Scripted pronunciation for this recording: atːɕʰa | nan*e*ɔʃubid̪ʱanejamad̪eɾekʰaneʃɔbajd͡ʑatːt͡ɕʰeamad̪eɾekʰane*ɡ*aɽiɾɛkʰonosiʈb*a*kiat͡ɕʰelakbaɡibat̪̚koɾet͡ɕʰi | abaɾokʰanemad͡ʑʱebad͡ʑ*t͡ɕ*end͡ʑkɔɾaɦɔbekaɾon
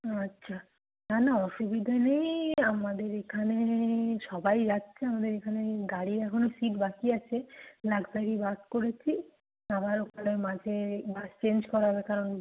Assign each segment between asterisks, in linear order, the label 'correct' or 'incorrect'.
incorrect, correct, correct, correct

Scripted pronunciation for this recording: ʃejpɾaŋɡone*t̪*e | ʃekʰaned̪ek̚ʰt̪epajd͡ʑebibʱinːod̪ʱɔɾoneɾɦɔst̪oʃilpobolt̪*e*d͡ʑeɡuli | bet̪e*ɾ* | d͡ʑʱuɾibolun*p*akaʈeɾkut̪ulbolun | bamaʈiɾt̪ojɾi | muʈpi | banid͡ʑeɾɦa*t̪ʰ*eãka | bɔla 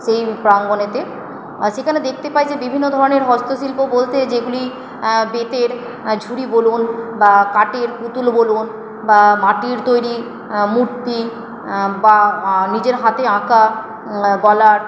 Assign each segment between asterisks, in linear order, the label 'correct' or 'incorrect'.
correct, correct, correct, incorrect, incorrect

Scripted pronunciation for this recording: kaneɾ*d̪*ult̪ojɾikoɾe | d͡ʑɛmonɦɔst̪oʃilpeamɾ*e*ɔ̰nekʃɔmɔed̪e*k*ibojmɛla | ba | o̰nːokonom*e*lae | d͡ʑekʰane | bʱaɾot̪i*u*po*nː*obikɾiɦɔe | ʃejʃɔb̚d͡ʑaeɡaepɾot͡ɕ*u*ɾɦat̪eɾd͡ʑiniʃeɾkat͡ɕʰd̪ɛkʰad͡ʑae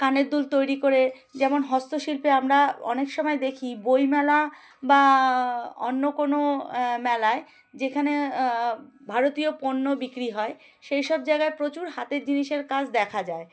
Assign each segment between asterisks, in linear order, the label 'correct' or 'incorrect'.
correct, incorrect, incorrect, incorrect, incorrect, correct, correct

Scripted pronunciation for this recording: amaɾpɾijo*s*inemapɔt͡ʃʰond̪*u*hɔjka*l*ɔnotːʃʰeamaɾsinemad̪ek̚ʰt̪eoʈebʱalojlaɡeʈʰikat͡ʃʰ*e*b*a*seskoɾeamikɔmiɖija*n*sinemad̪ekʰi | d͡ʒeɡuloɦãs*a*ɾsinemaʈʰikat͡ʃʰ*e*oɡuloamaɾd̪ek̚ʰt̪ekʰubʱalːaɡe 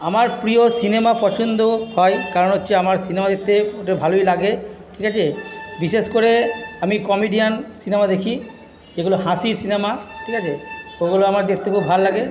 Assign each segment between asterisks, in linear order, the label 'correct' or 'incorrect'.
correct, incorrect, incorrect, correct, incorrect, correct, incorrect, correct

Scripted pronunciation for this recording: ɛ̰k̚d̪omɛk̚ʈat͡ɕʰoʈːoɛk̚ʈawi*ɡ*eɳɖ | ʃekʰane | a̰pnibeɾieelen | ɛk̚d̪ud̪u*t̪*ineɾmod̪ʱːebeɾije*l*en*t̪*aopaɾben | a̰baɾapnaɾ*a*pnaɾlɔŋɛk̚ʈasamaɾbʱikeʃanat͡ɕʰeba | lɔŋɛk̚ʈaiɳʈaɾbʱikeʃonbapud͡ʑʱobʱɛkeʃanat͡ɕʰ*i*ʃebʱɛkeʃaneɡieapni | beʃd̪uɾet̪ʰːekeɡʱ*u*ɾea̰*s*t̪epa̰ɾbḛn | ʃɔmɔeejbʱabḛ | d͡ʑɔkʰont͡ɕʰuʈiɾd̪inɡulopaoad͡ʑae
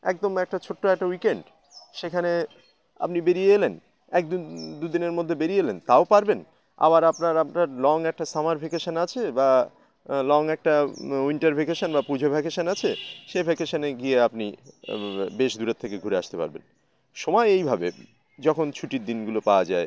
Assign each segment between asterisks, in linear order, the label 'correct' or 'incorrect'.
incorrect, incorrect, correct, correct, correct, incorrect, correct, incorrect

